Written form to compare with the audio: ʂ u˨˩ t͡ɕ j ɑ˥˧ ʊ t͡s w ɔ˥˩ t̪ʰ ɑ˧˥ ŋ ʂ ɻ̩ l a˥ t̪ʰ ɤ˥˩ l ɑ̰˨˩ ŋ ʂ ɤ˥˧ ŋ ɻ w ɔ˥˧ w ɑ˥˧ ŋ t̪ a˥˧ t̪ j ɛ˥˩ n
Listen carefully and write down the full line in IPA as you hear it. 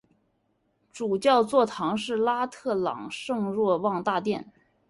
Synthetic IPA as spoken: ʈ͡ʂ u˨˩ t͡ɕ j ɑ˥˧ ʊ t͡s w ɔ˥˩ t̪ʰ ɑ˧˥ ŋ ʂ ɻ̩ l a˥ t̪ʰ ɤ˥˩ l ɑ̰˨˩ ŋ ʂ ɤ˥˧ ŋ ɻ w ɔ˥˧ w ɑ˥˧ ŋ t̪ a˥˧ t̪ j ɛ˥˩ n